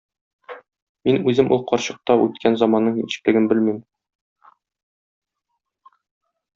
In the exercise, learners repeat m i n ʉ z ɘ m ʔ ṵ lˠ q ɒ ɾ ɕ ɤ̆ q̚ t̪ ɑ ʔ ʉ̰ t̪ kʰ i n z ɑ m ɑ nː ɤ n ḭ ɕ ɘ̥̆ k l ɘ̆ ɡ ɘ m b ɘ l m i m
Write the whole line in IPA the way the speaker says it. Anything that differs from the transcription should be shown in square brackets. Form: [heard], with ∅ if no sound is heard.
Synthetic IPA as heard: m i n ʉ z ɘ m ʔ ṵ lˠ q ɒ ɾ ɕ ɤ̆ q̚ t̪ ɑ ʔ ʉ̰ t̪ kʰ [æ] n z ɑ m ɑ nː ɤ [ɴ] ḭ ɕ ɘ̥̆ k l ɘ̆ ɡ ɘ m b ɘ l m i m